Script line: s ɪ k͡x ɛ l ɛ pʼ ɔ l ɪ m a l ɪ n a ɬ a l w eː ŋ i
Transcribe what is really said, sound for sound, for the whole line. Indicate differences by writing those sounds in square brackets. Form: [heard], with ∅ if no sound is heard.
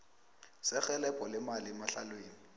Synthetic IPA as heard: s ɪ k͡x ɛ l ɛ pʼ ɔ l ɪ m a l ɪ [m] a ɬ a l w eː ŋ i